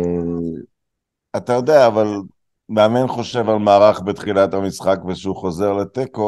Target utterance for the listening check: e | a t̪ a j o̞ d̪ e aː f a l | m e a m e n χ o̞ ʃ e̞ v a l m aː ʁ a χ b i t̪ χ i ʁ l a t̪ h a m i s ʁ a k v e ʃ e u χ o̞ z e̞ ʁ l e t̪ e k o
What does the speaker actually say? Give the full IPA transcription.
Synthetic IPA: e | a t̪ a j o̞ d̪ e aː v a l | m e a m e n χ o̞ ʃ e̞ v a l m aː ʁ a χ b e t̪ χ i l a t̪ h a m i s χ a k v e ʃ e u χ o̞ z e̞ ʁ l e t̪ e k o